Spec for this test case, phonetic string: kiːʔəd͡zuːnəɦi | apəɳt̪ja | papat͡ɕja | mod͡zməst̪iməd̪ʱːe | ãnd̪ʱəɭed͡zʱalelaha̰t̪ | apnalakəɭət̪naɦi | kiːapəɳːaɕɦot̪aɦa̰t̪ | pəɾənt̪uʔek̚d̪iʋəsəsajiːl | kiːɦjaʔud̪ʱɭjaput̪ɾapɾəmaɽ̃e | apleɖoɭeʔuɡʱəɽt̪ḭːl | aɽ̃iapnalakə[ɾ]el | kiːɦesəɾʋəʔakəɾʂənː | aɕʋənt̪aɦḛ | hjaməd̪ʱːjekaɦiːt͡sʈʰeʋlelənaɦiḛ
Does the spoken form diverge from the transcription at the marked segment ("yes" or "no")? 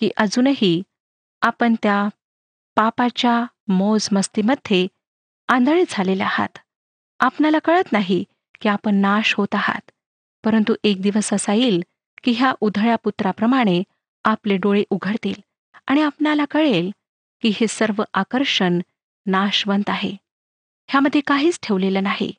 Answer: yes